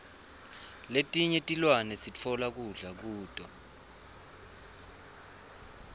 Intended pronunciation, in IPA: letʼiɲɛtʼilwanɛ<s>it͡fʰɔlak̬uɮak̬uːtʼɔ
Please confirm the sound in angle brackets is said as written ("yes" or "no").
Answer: yes